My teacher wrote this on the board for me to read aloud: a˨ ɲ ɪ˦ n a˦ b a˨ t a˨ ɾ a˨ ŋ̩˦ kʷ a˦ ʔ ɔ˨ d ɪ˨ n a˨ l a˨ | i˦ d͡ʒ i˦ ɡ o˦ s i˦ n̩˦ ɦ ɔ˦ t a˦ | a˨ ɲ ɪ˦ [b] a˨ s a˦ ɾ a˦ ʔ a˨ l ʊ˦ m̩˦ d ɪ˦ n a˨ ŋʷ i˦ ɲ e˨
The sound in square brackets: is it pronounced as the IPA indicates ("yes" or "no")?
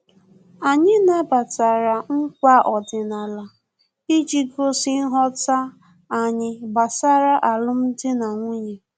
yes